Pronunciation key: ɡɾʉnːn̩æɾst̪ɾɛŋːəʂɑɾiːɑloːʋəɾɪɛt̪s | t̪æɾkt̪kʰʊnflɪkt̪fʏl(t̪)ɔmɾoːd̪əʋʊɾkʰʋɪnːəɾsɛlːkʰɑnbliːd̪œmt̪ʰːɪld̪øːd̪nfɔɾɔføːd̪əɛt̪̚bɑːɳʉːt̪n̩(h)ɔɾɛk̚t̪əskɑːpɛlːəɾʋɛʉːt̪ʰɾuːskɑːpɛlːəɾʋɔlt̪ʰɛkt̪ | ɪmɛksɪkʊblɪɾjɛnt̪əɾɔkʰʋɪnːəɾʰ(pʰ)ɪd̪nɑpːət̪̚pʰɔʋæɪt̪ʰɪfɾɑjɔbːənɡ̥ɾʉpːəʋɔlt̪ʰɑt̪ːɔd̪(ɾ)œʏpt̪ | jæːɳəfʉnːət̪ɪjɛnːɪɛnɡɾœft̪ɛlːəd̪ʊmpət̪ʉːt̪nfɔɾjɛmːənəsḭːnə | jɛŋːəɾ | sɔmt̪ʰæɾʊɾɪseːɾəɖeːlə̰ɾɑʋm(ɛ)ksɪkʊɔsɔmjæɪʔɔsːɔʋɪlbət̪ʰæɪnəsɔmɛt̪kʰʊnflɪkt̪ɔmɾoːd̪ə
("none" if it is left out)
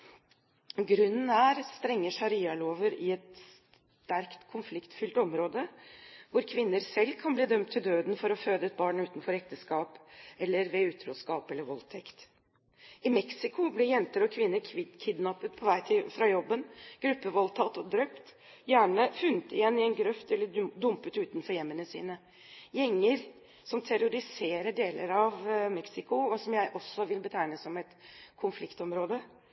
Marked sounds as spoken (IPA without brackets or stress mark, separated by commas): t̪, f, kʰ, ɾ, ɛ